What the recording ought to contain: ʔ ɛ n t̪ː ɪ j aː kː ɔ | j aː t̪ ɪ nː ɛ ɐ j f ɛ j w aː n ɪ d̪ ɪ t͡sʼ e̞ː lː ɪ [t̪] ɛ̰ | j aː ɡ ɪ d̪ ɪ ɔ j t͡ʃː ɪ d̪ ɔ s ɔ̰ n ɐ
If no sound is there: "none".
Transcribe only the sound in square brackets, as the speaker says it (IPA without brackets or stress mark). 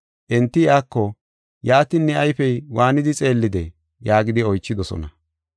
d̪